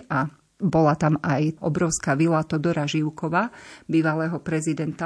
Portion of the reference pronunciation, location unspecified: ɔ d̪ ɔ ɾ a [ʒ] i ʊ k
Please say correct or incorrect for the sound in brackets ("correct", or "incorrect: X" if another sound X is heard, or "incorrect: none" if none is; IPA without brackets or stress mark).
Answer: correct